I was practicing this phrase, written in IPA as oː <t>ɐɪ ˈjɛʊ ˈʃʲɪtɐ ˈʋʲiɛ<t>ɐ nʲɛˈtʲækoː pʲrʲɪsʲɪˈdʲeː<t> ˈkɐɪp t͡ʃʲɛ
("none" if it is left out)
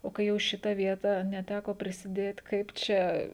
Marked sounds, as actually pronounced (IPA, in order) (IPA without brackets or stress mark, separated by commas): k, t, t